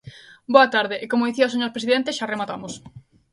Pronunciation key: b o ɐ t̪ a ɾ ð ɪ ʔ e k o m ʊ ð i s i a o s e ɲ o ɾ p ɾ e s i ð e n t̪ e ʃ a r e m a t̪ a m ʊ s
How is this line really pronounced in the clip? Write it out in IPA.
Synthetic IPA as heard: b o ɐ t̪ a ɾ ð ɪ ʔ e k o m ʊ ð i θ i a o s e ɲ o ɾ p ɾ e s i ð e n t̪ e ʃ a r e m a t̪ a m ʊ s